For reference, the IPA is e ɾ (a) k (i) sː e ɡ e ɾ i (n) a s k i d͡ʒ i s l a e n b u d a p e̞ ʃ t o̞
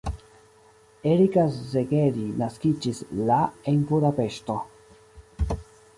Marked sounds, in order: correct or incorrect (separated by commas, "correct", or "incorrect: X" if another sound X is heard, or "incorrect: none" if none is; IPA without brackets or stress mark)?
incorrect: i, incorrect: a, correct